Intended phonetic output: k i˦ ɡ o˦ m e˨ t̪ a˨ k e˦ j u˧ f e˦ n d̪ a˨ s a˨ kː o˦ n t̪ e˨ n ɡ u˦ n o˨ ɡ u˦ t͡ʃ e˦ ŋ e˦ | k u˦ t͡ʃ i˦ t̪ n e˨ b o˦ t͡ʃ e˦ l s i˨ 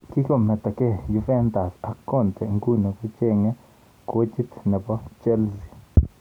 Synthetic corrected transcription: k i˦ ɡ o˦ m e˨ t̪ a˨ k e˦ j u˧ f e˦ n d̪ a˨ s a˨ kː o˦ n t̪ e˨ ŋ ɡ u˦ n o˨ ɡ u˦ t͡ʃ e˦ ŋ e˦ | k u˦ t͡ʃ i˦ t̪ n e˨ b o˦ t͡ʃ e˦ l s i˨